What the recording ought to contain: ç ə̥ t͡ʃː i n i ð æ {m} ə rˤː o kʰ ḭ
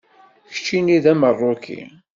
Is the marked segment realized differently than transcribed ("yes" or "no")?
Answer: no